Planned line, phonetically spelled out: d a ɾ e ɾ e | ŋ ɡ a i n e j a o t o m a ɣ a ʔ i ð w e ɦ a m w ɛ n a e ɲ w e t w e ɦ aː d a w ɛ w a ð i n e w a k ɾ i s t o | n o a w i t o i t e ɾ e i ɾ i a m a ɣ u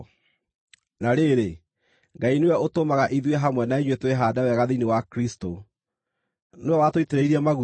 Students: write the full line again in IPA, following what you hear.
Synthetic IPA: n a ɾ e ɾ e | ŋ ɡ a i n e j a o t o m a ɣ a ʔ i ð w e ɦ a m w ɛ n a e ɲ w e t w e ɦ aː d a w ɛ ɣ a ð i n e w a k ɾ i s t o | n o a w a t o i t e ɾ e i ɾ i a m a ɣ u